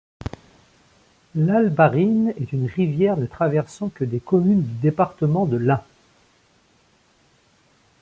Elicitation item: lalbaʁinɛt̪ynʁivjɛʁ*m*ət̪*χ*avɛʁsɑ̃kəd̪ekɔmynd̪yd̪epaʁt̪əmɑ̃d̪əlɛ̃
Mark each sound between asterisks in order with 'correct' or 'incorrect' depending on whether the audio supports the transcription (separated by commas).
incorrect, correct